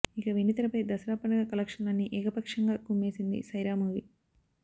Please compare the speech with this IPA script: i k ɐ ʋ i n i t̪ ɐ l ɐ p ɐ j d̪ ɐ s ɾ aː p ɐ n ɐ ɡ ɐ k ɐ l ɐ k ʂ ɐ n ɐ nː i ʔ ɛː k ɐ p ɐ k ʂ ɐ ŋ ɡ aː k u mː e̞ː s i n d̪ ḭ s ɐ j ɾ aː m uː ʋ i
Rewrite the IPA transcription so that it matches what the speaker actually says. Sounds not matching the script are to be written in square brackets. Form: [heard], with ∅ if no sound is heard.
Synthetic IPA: i k ɐ ʋ i n i t̪ ɐ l ɐ p ɐ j d̪ ɐ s ɾ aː p ɐ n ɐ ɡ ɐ k ɐ l ɐ k ʂ ɐ n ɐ nː i ʔ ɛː k ɐ p ɐ k ʂ ɐ ŋ ɡ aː k u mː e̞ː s i n d̪ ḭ s ɐ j ɾ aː m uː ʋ i

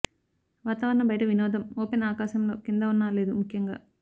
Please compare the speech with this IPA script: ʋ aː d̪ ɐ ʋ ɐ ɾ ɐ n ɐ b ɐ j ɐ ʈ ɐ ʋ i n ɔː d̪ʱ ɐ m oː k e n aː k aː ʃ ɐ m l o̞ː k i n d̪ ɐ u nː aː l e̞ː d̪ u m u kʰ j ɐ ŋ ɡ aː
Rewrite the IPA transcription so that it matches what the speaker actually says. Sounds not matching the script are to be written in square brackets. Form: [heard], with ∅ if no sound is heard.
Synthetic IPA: ʋ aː [t̪] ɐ ʋ ɐ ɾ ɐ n ɐ b ɐ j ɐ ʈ ɐ ʋ i n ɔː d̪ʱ ɐ m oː [p] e n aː k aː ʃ ɐ m l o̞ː k i n d̪ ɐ u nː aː l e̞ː d̪ u m u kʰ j ɐ ŋ ɡ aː

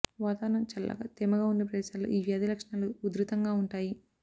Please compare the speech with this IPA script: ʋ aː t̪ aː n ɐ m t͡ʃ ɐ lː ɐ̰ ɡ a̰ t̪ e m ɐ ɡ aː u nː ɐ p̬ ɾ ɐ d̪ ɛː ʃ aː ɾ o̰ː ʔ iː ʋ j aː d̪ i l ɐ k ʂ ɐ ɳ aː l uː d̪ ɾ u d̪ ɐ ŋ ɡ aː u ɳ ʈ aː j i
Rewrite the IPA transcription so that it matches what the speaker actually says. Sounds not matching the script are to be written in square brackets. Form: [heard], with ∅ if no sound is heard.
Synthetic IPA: ʋ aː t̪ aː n ɐ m t͡ʃ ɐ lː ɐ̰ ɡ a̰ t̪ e m ɐ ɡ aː u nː ɐ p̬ ɾ ɐ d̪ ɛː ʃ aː [l] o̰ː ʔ iː ʋ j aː d̪ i l ɐ k ʂ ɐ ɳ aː l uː d̪ ɾ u [t̪] ɐ ŋ ɡ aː u ɳ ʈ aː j i

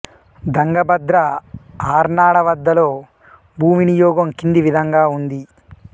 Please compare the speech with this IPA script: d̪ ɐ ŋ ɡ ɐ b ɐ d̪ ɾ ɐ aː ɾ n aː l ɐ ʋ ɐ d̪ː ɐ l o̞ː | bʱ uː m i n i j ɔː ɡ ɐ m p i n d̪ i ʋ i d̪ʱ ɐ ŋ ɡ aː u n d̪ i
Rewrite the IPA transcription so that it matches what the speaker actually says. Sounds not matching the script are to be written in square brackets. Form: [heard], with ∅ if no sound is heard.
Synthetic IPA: d̪ ɐ ŋ ɡ ɐ b ɐ d̪ ɾ ɐ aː ɾ n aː [ɽ] ɐ ʋ ɐ d̪ː ɐ l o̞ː | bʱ uː m i n i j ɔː ɡ ɐ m [k] i n d̪ i ʋ i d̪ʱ ɐ ŋ ɡ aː u n d̪ i

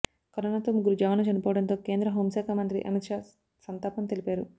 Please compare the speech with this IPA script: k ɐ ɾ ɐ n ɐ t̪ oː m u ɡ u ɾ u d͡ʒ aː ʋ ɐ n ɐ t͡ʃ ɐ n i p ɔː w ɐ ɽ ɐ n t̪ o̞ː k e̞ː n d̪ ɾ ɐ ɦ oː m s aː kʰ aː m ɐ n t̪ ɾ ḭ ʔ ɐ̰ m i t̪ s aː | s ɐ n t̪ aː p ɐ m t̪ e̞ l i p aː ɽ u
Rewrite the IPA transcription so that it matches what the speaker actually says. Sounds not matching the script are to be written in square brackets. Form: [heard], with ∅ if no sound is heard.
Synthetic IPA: k ɐ ɾ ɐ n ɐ t̪ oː m u ɡ u ɾ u d͡ʒ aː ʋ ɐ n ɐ t͡ʃ ɐ n i p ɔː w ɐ ɽ ɐ n t̪ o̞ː k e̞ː n d̪ ɾ ɐ ɦ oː m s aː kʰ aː m ɐ n t̪ ɾ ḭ ʔ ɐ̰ m i t̪ [ʂ] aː | s ɐ n t̪ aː p ɐ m t̪ e̞ l i p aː [ɾ] u

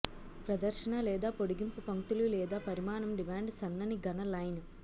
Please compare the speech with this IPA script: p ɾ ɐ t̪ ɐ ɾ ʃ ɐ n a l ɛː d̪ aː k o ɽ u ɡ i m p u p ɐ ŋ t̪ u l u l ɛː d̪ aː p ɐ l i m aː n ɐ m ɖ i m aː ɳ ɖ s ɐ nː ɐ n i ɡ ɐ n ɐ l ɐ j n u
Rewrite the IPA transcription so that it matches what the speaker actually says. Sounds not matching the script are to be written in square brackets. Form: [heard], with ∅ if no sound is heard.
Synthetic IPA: p ɾ ɐ [d̪] ɐ ɾ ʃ ɐ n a l ɛː d̪ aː [p] o ɽ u ɡ i m p u p ɐ ŋ t̪ u l u l ɛː d̪ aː p ɐ [ɾ] i m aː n ɐ m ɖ i m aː ɳ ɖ s ɐ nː ɐ n i ɡ ɐ n ɐ l ɐ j n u

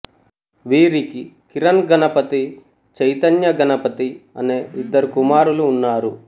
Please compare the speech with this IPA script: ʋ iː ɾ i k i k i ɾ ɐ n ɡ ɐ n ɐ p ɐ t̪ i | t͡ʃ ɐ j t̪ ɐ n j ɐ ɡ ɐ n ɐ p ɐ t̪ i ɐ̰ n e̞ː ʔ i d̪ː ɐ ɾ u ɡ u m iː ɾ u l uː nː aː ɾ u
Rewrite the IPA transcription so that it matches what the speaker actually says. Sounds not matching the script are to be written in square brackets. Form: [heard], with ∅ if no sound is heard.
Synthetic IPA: ʋ iː ɾ i k i k i ɾ ɐ n ɡ ɐ n ɐ p ɐ t̪ i | t͡ʃ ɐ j t̪ ɐ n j ɐ ɡ ɐ n ɐ p ɐ t̪ i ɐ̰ n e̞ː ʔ i d̪ː ɐ ɾ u [k] u m [aː] ɾ u l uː nː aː ɾ u

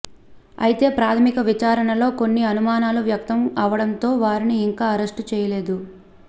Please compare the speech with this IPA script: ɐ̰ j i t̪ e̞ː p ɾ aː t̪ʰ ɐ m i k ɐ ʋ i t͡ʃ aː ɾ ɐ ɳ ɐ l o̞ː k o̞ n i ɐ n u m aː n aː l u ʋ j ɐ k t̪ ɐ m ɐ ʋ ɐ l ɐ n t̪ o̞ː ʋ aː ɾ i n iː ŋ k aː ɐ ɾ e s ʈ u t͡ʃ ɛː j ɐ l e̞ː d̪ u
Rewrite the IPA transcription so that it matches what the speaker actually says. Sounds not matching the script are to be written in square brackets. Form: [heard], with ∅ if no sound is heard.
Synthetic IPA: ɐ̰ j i t̪ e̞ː p ɾ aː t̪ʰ ɐ m i k ɐ ʋ i t͡ʃ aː ɾ ɐ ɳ ɐ l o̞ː k o̞ [nː] i ɐ n u m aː n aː l u ʋ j ɐ k t̪ ɐ m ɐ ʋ ɐ [ɽ] ɐ n t̪ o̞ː ʋ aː ɾ i n iː ŋ k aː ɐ ɾ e s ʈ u t͡ʃ ɛː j ɐ l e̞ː d̪ u

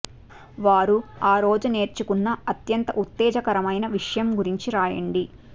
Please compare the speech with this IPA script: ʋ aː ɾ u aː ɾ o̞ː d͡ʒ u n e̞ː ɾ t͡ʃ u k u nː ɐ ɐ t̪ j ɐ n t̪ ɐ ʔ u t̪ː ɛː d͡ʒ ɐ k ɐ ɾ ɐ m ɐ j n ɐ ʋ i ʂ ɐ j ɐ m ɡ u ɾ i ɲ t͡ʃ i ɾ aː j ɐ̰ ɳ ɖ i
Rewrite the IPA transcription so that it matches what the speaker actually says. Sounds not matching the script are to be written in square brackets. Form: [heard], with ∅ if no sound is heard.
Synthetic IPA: ʋ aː ɾ u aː ɾ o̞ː d͡ʒ u n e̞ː ɾ t͡ʃ u k u nː ɐ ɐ t̪ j ɐ n t̪ ɐ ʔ u t̪ː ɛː d͡ʒ ɐ k ɐ ɾ ɐ m ɐ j n ɐ ʋ i ʂ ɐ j ɐ m ɡ u ɾ i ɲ t͡ʃ i ɾ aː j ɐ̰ ɳ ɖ i

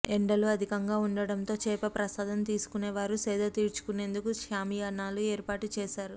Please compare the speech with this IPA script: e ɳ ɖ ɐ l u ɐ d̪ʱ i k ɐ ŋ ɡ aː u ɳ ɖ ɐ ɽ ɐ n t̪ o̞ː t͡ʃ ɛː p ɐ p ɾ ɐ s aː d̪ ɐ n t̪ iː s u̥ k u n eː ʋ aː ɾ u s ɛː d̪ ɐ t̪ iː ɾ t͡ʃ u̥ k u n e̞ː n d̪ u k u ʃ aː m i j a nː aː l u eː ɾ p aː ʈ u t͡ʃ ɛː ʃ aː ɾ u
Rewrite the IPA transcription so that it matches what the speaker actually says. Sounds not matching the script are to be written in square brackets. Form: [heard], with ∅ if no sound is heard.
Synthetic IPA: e ɳ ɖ ɐ l u ɐ d̪ʱ i k ɐ ŋ ɡ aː u ɳ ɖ ɐ ɽ ɐ n t̪ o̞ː t͡ʃ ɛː p ɐ p ɾ ɐ s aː d̪ ɐ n t̪ iː s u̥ k u n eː ʋ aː ɾ u s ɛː d̪ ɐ t̪ iː ɾ t͡ʃ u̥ k u n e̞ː n d̪ u k u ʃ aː m i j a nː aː l u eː ɾ p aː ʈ u t͡ʃ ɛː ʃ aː ɾ u

